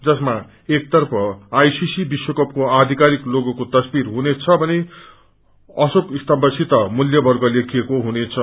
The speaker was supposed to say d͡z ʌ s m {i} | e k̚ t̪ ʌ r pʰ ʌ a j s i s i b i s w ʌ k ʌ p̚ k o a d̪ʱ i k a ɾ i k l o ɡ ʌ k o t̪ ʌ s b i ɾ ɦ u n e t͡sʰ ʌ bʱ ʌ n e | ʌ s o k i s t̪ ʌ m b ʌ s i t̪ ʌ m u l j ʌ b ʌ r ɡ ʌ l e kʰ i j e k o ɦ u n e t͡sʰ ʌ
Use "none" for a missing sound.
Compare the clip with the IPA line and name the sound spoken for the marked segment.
a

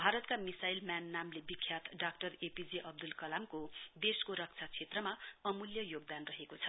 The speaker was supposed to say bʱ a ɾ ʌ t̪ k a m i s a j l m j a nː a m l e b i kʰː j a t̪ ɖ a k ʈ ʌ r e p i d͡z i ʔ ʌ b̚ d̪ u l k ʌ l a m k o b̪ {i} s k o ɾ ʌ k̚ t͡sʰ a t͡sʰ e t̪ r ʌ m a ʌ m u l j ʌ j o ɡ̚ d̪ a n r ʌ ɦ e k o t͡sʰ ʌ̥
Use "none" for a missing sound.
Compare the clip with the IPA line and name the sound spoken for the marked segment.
e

